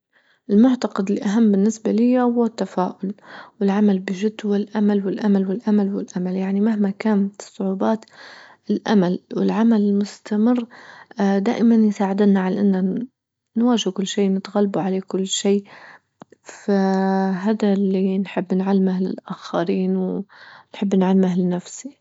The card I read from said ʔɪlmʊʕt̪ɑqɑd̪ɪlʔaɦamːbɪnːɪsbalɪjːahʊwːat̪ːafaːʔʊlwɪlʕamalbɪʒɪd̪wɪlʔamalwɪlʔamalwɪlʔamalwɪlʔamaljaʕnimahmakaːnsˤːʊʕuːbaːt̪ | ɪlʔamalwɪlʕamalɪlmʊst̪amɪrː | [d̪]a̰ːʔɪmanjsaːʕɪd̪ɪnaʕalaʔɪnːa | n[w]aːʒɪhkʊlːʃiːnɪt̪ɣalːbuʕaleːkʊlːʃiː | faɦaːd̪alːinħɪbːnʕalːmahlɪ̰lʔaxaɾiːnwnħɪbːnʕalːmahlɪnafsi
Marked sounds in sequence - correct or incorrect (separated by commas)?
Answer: correct, correct